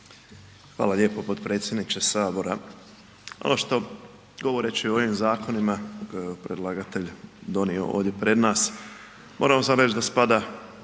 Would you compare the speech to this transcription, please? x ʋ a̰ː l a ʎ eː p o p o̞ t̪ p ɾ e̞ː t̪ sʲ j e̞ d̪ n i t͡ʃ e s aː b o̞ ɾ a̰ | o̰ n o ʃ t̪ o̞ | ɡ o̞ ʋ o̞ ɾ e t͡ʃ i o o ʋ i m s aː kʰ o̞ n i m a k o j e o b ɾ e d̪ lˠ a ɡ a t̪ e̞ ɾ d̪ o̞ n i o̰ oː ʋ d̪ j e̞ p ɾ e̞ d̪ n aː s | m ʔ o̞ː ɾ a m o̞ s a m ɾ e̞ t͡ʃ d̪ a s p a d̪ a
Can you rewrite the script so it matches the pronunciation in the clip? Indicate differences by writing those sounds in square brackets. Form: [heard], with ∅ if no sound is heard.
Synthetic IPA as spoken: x ʋ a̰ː l a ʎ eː p o p o̞ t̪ p ɾ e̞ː t̪ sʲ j e̞ d̪ n i t͡ʃ e s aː b o̞ ɾ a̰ | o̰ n o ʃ t̪ o̞ | ɡ o̞ ʋ o̞ ɾ e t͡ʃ i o o ʋ i m [z] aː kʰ o̞ n i m a k o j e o [p] ɾ e d̪ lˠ a ɡ a t̪ e̞ [ʎ] d̪ o̞ n i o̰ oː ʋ d̪ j e̞ p ɾ e̞ d̪ n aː s | m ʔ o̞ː ɾ a m o̞ s a m ɾ e̞ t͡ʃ d̪ a s p a d̪ a